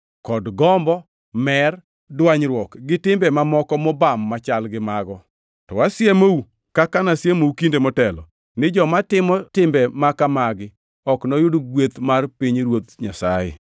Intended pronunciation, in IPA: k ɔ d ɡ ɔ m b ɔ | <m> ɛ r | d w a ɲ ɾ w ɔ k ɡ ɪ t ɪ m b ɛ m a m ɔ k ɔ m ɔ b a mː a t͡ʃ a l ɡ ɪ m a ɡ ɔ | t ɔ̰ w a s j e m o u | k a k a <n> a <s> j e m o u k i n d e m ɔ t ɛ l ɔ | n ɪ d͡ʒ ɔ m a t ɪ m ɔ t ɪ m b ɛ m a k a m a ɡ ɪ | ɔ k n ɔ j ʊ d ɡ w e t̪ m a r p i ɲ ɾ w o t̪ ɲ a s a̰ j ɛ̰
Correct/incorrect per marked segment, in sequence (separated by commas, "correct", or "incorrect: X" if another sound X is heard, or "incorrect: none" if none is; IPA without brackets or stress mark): correct, correct, correct